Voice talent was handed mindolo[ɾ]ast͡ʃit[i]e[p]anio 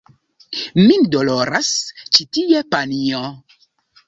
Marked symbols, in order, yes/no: yes, yes, yes

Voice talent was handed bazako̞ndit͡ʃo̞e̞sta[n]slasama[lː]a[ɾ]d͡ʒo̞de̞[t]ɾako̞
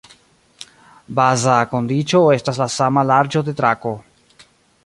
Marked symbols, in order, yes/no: no, no, yes, yes

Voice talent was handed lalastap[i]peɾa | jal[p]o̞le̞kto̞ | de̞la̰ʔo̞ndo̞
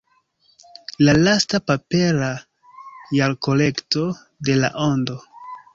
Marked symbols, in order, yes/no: no, no

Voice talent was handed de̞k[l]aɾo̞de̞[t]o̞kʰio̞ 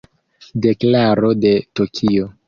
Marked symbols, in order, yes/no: yes, yes

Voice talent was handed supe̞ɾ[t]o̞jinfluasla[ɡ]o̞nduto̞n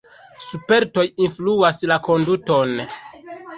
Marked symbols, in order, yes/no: yes, no

